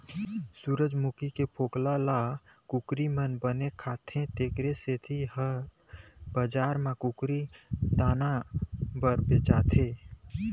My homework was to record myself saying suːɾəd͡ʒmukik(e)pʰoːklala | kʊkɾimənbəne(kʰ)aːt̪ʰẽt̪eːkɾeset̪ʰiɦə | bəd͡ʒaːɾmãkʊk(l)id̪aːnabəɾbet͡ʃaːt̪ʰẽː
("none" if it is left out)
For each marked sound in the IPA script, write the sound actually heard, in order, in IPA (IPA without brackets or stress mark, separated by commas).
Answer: e, kʰ, ɾ